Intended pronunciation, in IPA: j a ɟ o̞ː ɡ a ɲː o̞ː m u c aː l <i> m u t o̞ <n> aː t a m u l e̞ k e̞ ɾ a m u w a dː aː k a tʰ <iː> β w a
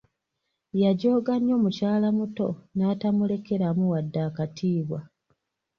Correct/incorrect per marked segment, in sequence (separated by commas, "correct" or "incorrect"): incorrect, correct, correct